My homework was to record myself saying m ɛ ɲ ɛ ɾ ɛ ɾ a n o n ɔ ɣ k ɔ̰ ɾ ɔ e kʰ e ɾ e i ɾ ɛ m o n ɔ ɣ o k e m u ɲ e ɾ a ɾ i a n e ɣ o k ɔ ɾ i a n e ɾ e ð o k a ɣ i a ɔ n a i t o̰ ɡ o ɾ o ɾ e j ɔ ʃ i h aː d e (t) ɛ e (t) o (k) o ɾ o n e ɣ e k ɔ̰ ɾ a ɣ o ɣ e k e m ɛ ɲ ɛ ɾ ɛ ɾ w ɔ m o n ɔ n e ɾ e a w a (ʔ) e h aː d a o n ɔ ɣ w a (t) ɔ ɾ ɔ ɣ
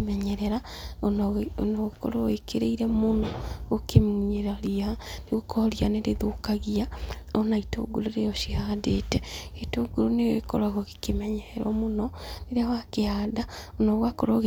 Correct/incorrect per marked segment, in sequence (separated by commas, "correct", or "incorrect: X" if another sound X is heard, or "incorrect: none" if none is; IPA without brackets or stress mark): correct, correct, incorrect: ɡ, incorrect: k, incorrect: k